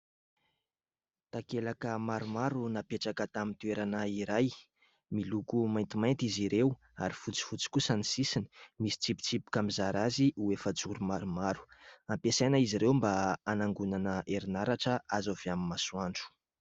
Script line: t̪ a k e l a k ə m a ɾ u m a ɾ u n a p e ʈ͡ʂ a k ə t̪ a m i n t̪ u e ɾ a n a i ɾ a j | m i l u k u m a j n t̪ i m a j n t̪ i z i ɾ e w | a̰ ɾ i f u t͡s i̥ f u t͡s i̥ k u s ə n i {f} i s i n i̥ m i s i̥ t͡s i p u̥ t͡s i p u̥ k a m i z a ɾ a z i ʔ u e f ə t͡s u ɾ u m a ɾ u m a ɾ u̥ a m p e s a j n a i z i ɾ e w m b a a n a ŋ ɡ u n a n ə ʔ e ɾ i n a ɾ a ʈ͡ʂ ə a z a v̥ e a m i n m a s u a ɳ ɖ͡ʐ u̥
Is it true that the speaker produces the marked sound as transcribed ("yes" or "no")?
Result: no